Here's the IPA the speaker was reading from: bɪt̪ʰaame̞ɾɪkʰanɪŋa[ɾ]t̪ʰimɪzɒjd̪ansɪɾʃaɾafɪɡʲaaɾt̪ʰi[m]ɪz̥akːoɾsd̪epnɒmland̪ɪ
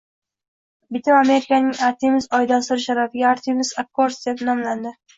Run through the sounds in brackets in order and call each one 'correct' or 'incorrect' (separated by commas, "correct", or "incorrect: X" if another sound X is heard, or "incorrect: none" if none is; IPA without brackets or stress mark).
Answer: correct, correct